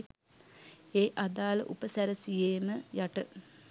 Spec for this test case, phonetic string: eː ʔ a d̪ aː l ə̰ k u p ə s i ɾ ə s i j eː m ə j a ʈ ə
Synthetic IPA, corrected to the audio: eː ʔ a d̪ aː l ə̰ ʔ u p ə s æ ɾ ə s i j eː m ə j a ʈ ə